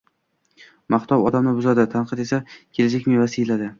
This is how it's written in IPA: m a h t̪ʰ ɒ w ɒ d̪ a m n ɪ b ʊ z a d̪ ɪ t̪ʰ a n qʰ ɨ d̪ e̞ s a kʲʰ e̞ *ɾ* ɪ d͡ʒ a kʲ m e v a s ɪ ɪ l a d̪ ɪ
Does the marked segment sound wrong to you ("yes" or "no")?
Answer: yes